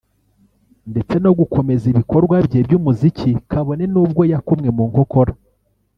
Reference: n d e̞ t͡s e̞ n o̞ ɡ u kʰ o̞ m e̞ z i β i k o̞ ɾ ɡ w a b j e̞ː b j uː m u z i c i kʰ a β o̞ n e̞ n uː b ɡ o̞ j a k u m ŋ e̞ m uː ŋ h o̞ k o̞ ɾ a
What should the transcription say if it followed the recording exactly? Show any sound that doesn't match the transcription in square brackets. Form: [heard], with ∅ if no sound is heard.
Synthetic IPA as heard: n d e̞ t͡s e̞ n o̞ ɡ u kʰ o̞ m e̞ z i β i k o̞ ɾ ɡ w a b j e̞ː b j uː m u z i c i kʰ a β o̞ n e̞ n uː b ɡ o̞ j a k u m ŋ e̞ m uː ŋ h o̞ k o̞ ɾ a